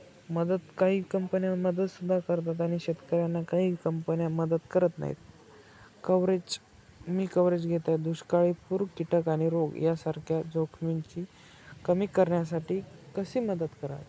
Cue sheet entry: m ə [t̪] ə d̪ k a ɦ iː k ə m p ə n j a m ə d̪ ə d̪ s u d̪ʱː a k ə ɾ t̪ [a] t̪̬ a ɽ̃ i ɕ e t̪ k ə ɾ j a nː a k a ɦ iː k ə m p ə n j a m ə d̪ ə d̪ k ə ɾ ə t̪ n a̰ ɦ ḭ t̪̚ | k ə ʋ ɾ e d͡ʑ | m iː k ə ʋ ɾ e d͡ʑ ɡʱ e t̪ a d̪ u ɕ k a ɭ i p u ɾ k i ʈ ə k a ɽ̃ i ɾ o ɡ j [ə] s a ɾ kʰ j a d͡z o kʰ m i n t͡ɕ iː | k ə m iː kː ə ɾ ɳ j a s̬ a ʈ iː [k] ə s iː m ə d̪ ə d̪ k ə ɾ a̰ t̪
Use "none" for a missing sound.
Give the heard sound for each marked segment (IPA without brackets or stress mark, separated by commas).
d̪, a, a, k